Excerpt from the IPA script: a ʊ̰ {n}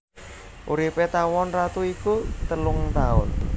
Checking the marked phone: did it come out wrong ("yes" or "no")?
no